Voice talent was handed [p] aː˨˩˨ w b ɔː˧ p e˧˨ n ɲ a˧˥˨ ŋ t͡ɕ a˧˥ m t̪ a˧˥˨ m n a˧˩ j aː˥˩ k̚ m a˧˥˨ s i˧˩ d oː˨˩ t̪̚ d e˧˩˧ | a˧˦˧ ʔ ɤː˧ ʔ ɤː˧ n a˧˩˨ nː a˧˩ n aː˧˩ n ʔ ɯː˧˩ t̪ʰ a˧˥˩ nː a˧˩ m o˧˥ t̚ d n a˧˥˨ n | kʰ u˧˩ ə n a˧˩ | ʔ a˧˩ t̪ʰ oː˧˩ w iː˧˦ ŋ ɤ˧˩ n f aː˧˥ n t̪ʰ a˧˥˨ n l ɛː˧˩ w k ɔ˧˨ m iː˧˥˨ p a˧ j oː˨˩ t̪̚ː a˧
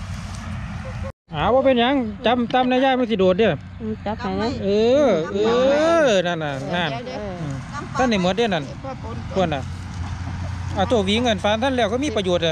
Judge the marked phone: incorrect: ʔ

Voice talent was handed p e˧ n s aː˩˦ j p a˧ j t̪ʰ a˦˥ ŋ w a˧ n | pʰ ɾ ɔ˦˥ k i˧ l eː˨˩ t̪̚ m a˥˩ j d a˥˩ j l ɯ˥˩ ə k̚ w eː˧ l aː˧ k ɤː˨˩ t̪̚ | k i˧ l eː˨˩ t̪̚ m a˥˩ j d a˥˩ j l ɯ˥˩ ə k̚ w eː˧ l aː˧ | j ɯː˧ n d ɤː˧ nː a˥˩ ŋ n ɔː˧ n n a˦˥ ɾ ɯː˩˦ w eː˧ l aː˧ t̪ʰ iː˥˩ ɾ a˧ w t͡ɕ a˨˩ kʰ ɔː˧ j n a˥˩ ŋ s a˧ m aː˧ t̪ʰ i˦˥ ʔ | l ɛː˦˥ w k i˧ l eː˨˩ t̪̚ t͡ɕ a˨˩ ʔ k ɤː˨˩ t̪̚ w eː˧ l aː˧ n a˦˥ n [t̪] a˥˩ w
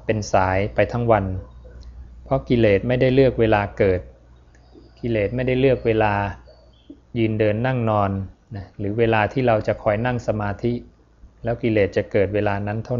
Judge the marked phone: incorrect: t̪ʰ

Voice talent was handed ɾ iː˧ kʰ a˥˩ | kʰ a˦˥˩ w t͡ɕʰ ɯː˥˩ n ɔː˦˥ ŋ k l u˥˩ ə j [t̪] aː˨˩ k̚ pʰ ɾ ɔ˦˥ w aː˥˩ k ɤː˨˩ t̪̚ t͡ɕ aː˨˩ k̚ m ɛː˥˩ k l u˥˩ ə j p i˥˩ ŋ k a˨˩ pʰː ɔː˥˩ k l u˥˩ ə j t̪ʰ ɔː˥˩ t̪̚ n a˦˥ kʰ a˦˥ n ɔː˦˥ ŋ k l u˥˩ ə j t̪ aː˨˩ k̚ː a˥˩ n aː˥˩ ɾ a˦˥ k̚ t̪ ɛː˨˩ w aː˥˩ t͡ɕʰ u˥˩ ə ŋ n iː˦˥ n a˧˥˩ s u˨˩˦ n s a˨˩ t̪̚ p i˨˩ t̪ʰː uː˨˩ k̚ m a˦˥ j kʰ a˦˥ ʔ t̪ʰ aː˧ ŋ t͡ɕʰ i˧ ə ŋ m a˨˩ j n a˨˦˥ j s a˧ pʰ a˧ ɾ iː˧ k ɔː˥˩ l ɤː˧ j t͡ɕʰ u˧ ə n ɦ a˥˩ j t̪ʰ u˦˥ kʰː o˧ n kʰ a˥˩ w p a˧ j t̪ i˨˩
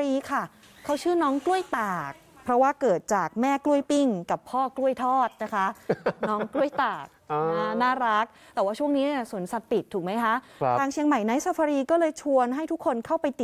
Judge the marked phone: correct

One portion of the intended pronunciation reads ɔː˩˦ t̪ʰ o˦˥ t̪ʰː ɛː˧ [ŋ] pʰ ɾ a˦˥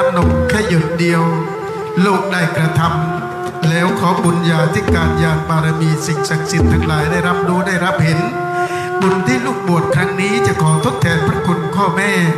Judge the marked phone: incorrect: n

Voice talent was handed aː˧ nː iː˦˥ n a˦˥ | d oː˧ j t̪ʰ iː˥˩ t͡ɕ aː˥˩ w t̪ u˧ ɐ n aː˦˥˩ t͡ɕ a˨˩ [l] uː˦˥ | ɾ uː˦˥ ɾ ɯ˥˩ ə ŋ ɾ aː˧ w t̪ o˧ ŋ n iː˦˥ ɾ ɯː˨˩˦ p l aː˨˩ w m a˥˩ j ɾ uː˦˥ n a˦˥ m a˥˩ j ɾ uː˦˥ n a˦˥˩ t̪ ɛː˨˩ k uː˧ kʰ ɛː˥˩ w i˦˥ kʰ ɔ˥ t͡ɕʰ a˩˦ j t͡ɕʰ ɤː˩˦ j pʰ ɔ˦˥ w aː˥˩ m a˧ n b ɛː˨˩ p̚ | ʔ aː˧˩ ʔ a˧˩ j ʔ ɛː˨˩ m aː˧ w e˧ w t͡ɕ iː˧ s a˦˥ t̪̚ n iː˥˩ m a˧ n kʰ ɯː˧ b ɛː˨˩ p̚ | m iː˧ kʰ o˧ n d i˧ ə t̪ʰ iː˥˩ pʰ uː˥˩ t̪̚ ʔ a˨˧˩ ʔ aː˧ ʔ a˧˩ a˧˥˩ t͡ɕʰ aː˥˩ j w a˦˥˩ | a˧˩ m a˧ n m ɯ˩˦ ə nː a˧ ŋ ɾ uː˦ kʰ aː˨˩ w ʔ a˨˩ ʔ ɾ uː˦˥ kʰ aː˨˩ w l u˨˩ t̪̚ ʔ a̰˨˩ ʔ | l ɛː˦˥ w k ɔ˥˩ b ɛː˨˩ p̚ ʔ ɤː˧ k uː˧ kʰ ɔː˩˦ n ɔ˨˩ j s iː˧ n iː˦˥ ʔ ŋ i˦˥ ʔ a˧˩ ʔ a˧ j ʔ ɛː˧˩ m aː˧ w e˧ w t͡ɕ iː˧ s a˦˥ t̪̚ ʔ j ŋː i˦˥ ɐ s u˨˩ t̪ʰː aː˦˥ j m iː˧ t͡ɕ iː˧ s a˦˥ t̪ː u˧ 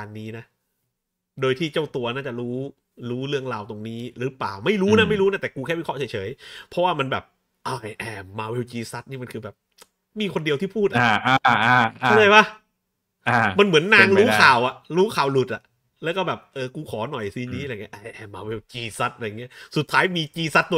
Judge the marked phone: incorrect: ɾ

